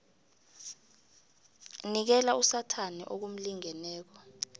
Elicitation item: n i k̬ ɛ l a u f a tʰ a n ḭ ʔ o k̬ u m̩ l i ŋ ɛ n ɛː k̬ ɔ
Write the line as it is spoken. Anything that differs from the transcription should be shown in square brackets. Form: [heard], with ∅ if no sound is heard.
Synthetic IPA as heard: n i k̬ ɛ l a u [s] a tʰ a n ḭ ʔ o k̬ u m̩ l i ŋ ɛ n ɛː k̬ ɔ